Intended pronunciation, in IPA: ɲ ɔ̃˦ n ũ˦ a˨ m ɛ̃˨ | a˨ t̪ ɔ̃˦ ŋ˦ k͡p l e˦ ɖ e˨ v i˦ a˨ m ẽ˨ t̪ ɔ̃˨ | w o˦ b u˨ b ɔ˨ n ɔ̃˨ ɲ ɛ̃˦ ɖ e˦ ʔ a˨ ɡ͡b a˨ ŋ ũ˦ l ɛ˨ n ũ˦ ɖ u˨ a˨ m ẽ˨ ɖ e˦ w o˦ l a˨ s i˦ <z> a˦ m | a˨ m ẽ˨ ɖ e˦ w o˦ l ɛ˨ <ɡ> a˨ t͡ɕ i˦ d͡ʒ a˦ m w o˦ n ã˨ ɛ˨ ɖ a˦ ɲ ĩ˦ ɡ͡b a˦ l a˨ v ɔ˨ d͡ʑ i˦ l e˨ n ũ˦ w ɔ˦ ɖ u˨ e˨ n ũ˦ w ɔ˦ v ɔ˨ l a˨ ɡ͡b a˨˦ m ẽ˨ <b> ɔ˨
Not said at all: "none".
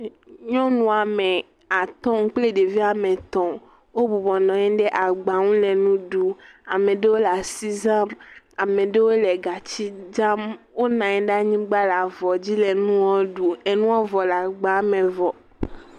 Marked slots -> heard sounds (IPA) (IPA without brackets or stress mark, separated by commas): z, ɡ, v